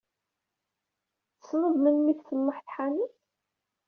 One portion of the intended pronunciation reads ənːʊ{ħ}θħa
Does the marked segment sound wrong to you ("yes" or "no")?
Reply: no